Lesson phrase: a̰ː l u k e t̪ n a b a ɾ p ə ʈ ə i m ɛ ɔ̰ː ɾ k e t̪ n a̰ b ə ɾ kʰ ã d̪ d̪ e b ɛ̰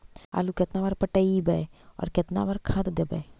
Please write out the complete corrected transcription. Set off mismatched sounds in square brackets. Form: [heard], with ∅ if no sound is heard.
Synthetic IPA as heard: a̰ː l u k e t̪ n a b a ɾ p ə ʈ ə i [b] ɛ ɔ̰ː ɾ k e t̪ n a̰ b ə ɾ kʰ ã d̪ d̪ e b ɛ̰